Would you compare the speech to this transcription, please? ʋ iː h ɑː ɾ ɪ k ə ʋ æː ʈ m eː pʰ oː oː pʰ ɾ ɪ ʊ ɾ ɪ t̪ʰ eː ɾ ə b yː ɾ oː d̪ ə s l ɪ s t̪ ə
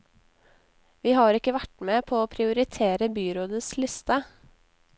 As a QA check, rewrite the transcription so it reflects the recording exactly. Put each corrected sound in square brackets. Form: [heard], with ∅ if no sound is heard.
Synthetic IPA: ʋ iː h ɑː ɾ ɪ k ə ʋ [æ] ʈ m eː pʰ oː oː pʰ ɾ ɪ ʊ ɾ ɪ t̪ʰ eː ɾ ə b yː ɾ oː d̪ ə s l ɪ s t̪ ə